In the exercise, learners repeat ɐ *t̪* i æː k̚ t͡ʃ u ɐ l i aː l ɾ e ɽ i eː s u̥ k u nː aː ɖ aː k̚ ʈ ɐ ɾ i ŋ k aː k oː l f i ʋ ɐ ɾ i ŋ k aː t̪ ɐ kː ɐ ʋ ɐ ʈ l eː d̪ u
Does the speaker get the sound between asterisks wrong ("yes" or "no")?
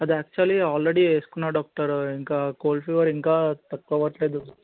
yes